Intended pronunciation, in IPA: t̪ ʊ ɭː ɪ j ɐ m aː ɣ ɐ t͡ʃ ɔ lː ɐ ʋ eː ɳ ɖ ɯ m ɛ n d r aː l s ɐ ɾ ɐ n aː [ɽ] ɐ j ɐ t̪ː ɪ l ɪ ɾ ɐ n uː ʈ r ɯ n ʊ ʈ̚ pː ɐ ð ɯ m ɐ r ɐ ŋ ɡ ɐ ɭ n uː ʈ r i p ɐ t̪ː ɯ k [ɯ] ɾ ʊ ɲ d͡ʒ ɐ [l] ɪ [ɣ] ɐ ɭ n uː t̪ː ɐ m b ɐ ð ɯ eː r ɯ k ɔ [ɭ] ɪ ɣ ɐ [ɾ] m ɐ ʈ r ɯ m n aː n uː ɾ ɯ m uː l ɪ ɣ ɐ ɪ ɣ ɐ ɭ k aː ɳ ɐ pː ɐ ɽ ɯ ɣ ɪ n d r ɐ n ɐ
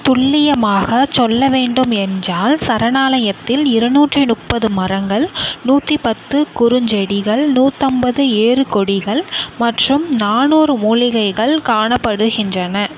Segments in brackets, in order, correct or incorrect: incorrect: l, incorrect: ʊ, incorrect: ɽ, correct, incorrect: ɽ, incorrect: ɭ

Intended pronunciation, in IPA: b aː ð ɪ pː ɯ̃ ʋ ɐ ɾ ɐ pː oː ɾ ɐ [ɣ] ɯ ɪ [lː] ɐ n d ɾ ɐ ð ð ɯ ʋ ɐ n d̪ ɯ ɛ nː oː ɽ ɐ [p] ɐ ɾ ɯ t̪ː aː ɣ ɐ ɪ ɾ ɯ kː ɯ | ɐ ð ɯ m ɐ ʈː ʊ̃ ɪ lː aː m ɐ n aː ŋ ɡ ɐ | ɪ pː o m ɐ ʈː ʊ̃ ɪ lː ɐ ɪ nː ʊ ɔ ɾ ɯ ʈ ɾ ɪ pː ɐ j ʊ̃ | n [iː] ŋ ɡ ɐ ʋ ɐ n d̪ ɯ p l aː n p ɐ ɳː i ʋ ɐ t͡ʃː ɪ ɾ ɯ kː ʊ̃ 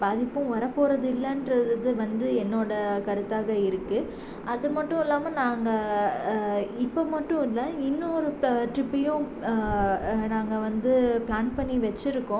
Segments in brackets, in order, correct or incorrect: incorrect: ð, correct, incorrect: k, incorrect: aː

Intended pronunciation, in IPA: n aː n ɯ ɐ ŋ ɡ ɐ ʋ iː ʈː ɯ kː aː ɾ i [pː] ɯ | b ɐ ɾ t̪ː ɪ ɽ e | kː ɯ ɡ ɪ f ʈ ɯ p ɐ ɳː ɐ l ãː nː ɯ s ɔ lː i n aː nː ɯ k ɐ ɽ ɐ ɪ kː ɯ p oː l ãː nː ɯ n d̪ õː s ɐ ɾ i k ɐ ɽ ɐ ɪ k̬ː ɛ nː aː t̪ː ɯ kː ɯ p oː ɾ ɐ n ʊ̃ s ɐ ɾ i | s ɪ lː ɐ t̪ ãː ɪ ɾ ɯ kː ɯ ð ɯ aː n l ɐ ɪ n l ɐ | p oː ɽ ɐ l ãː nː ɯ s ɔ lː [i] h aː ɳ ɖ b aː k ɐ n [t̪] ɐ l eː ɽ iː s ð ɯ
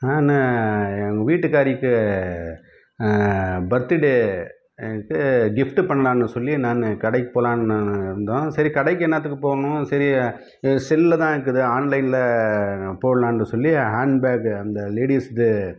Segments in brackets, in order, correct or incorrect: incorrect: kː, correct, incorrect: d̪

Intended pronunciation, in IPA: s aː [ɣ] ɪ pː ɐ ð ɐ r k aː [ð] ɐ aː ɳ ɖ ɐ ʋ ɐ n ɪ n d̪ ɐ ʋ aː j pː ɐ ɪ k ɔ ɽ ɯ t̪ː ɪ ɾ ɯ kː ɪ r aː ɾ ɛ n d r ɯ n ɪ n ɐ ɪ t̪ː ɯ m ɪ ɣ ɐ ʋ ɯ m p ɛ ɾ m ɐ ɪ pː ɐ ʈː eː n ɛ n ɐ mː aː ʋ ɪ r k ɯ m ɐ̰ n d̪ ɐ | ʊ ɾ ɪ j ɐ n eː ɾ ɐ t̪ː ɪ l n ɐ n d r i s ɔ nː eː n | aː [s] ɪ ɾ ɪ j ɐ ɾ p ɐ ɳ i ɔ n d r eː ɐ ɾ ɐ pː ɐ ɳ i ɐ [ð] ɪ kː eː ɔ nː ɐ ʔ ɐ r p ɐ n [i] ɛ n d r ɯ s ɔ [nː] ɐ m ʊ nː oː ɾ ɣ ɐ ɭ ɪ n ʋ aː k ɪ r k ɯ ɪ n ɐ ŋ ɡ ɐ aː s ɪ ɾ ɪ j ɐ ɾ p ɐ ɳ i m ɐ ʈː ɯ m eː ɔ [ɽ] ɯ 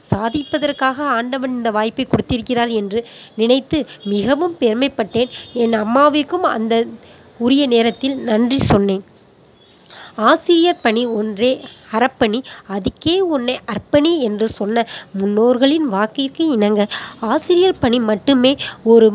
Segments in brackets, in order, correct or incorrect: incorrect: ð, incorrect: ɣ, correct, correct, correct, correct, incorrect: ɾ

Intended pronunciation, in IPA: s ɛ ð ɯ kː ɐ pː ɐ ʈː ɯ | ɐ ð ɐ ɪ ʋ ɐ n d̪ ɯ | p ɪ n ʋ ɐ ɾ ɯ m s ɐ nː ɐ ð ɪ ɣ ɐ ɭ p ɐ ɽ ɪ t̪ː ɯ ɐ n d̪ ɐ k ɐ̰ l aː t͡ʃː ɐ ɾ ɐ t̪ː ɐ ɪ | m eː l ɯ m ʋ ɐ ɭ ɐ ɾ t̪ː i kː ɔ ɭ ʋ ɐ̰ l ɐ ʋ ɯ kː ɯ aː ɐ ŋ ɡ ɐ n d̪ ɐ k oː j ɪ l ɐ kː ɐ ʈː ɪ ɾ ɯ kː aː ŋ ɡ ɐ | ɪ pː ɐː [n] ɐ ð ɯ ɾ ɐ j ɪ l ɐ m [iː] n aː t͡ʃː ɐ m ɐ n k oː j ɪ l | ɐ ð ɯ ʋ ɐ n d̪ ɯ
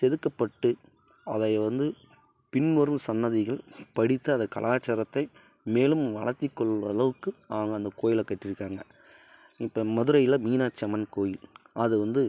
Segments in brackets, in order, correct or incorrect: incorrect: m, correct

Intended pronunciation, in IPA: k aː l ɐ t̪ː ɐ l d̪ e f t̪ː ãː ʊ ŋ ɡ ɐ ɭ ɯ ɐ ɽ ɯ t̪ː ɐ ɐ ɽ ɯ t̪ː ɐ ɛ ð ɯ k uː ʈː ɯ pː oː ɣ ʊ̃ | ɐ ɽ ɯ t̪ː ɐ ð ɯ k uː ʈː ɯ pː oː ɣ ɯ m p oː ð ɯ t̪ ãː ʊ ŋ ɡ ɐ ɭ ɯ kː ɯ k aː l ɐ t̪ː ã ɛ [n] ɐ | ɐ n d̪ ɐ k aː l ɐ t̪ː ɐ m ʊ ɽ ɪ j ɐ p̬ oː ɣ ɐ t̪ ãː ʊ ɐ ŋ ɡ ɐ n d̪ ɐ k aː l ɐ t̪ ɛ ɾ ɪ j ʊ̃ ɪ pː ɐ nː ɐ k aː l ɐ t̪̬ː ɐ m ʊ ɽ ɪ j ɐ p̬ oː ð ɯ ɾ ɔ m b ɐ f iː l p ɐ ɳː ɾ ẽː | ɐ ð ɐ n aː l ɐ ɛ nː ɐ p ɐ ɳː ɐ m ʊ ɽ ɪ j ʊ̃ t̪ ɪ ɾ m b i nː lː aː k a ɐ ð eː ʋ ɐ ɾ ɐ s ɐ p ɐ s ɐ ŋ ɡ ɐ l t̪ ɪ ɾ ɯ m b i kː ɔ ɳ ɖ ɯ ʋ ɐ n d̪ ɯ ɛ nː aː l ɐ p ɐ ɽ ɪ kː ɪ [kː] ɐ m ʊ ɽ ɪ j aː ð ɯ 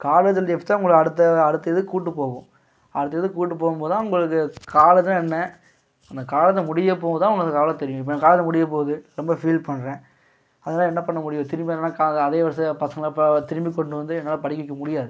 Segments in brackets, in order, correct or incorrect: incorrect: nː, correct

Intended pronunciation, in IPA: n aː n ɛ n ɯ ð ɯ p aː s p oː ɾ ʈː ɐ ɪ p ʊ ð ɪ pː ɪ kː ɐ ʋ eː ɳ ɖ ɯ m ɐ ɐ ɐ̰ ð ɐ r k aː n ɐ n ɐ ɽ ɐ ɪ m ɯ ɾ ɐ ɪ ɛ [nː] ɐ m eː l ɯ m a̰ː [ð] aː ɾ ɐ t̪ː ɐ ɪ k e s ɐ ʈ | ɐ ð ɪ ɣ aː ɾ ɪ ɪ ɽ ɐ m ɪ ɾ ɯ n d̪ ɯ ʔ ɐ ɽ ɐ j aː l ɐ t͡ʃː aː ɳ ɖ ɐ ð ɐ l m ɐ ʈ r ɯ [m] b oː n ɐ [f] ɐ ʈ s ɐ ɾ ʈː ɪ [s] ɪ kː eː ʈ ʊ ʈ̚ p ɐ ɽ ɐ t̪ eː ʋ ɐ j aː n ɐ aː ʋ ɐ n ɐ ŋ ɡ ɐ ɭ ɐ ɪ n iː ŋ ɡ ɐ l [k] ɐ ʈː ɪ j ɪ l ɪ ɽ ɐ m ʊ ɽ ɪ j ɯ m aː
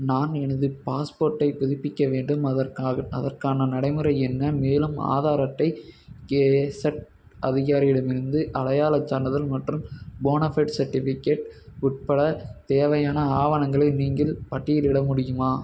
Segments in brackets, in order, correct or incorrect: correct, correct, correct, correct, incorrect: f, incorrect: p

